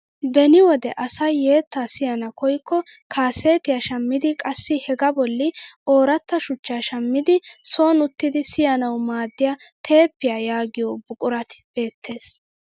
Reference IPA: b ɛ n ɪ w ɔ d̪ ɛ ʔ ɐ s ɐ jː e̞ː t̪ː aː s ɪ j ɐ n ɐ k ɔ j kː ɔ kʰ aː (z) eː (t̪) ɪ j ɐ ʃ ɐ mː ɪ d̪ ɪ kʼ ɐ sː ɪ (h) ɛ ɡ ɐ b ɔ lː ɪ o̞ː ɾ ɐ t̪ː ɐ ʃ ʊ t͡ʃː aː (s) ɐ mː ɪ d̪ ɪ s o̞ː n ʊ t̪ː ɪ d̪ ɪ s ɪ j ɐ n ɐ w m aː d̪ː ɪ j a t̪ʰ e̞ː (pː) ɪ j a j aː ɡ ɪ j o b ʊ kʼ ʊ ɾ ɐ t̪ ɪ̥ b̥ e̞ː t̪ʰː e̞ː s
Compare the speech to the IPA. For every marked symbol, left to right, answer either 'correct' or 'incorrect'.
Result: incorrect, correct, correct, incorrect, correct

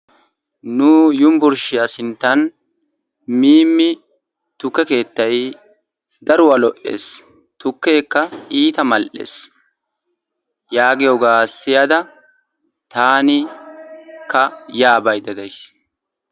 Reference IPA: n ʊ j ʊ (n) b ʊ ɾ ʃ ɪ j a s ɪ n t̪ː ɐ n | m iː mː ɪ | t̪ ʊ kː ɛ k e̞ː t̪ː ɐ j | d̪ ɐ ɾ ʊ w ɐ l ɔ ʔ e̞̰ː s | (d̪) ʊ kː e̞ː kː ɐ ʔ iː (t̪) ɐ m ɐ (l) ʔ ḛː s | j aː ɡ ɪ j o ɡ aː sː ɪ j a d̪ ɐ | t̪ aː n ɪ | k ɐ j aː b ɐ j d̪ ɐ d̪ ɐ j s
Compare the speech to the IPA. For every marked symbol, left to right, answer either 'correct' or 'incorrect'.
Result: incorrect, incorrect, correct, correct

